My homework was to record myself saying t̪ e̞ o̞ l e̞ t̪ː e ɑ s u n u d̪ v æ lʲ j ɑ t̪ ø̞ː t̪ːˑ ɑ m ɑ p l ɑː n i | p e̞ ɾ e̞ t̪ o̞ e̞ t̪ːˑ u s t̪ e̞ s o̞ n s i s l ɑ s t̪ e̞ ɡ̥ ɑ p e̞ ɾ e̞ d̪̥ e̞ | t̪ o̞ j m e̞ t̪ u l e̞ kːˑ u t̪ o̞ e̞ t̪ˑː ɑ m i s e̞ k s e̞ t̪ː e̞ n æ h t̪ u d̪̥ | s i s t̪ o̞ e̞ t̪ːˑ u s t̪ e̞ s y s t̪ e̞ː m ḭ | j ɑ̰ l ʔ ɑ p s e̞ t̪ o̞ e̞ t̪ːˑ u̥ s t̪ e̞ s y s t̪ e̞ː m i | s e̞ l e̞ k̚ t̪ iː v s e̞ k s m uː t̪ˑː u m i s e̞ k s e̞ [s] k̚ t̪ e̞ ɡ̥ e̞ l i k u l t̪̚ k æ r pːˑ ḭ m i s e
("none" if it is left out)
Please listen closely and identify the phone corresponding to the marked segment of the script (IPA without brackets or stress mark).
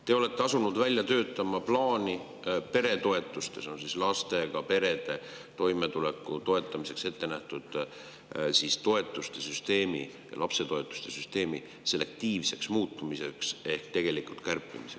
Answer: h